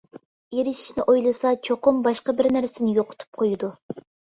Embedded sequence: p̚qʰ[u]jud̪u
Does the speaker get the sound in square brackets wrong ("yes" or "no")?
yes